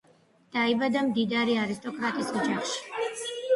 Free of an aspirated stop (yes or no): yes